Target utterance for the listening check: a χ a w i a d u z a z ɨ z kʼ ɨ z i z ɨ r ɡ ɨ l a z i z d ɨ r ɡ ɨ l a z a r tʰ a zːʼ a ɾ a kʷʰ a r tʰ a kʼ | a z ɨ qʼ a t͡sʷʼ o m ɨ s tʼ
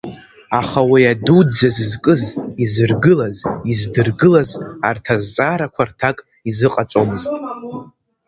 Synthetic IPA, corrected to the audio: a χ a w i a d u d͡z a z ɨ z kʼ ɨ z i z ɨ r ɡ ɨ l a z i z d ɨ r ɡ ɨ l a z a r tʰ a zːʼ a ɾ a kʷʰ a r tʰ a kʼ | i z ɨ qʼ a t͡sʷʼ o m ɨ z tʼ